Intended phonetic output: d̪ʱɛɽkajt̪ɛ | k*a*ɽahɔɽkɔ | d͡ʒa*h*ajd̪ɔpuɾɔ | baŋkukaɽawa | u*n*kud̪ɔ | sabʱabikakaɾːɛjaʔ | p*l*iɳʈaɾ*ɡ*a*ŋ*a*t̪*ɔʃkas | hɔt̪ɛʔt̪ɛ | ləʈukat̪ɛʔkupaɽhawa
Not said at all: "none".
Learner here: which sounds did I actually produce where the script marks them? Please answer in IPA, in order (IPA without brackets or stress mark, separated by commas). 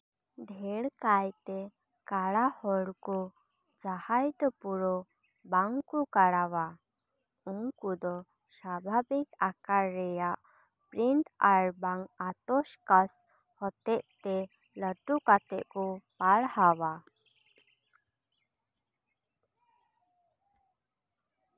a, h, ŋ, ɾ, b, ŋ, t̪